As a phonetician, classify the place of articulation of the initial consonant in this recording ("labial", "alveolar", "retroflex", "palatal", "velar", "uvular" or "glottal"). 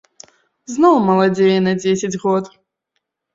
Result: alveolar